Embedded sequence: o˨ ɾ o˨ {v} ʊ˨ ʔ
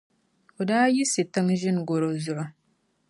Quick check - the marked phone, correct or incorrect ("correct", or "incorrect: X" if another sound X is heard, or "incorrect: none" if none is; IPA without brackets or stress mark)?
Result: incorrect: z